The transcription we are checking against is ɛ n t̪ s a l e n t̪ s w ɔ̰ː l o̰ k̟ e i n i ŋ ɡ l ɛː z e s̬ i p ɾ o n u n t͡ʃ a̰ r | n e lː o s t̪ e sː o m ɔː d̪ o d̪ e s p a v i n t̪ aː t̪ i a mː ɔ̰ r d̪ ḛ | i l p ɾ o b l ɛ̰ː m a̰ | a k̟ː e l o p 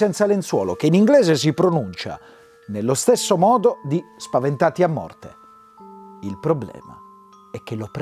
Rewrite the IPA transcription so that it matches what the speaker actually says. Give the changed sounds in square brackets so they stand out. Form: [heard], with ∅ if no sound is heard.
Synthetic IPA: ɛ n t̪ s a l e n t̪ s w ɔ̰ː l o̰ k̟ e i n i ŋ ɡ l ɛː z e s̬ i p ɾ o n u n t͡ʃ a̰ [∅] | n e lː o s t̪ e sː o m ɔː d̪ o d̪ [i] s p a v [e] n t̪ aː t̪ i a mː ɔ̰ r [t̪] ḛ | i l p ɾ o b l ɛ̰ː m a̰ | [ɛ] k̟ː e l o p